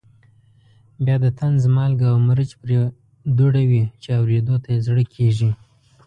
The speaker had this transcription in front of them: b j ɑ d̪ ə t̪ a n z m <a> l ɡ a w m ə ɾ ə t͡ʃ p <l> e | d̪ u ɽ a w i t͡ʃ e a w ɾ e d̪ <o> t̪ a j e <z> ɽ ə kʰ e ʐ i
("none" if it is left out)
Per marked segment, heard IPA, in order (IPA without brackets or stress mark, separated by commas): ɑ, ɾ, o, z